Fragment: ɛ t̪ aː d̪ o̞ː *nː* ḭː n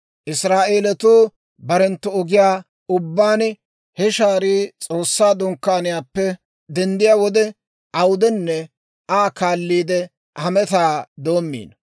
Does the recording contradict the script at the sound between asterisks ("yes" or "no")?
yes